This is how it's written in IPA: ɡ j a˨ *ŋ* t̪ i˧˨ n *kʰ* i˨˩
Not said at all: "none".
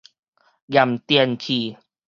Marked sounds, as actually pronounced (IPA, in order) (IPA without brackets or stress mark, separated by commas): m, kʰ